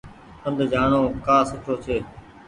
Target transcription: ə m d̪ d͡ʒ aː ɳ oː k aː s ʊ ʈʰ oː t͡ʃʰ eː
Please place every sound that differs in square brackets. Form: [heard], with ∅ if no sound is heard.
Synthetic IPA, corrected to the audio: ə [n] d̪ d͡ʒ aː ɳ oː k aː s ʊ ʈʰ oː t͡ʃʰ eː